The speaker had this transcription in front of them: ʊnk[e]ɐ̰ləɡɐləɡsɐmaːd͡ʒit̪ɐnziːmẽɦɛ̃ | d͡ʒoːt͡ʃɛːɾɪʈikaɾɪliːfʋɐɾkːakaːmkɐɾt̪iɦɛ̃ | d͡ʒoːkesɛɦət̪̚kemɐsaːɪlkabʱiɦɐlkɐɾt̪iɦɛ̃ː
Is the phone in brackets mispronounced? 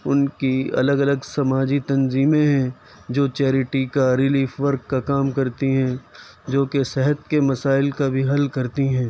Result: yes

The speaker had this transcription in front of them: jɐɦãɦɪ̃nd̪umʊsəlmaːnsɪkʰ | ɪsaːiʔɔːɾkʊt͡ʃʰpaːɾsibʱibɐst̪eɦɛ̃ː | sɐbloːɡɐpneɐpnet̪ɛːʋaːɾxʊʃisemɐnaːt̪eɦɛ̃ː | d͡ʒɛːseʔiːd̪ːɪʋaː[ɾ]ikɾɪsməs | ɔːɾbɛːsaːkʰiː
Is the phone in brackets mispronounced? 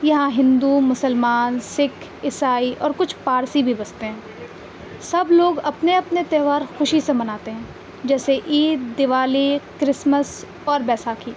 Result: yes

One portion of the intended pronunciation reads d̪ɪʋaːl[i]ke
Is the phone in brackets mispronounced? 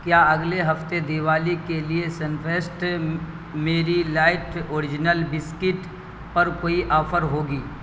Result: no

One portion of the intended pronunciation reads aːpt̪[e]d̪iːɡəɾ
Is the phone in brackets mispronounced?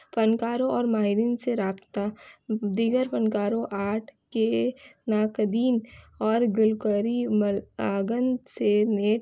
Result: yes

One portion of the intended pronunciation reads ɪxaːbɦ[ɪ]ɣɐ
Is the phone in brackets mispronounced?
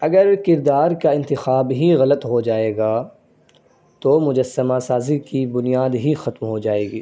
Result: yes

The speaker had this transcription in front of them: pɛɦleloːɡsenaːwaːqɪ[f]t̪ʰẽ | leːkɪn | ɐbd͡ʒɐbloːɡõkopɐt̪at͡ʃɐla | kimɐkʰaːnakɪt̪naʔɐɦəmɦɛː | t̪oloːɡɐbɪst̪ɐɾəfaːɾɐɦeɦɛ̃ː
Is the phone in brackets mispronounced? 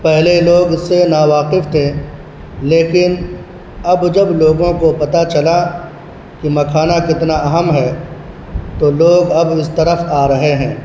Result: no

